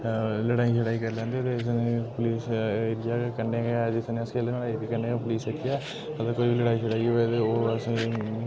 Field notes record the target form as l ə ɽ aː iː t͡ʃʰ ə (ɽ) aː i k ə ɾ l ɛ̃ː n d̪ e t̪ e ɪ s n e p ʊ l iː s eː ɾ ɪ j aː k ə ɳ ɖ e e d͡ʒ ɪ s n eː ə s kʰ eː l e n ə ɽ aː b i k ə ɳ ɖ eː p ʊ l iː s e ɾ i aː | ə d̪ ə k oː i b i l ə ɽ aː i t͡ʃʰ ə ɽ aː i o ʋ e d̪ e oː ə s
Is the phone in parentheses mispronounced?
no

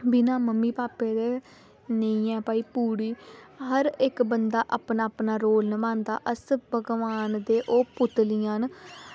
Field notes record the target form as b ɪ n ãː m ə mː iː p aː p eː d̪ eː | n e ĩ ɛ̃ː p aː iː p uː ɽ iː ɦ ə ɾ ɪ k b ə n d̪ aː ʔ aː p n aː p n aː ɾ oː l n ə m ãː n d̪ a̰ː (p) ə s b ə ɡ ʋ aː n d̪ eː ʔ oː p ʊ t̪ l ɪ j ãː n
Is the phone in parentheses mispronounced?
yes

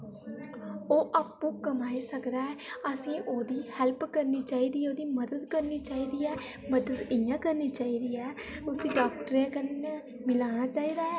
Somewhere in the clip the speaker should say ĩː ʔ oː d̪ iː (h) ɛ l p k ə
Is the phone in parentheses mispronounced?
no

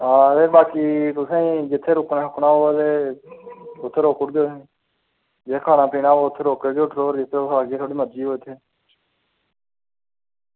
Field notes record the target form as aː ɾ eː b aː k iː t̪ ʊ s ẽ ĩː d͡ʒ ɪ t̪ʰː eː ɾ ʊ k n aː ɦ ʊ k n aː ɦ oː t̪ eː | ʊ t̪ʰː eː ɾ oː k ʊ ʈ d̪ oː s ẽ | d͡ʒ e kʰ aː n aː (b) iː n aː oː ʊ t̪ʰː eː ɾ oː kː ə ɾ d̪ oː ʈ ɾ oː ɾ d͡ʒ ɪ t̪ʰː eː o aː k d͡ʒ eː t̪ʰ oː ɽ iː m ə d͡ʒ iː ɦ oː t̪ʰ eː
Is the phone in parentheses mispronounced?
yes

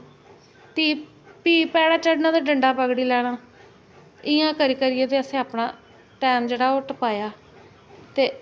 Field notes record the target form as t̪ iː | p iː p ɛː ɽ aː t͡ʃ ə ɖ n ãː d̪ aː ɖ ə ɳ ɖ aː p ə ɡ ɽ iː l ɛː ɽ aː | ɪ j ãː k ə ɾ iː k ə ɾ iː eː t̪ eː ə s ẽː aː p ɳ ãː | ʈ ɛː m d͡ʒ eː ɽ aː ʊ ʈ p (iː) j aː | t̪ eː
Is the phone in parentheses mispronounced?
yes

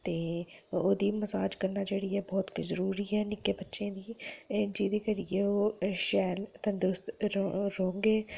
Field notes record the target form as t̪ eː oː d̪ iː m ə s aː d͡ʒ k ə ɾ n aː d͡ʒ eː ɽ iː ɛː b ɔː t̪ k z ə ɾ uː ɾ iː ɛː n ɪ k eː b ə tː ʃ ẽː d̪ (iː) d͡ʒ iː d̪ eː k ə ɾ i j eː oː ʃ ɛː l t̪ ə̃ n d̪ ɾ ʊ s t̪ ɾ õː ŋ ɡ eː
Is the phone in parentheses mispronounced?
no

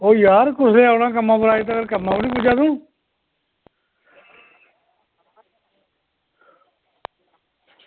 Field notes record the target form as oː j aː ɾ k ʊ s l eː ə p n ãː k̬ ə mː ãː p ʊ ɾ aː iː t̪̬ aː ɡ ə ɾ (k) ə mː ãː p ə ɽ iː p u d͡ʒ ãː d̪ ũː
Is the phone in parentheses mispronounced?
no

